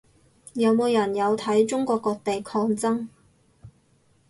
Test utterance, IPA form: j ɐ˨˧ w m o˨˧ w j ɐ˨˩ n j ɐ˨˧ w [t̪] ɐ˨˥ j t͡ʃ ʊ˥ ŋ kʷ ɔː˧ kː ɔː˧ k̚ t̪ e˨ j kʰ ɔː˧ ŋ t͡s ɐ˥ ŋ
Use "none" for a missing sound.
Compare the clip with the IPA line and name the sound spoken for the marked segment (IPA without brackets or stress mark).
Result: t̪ʰ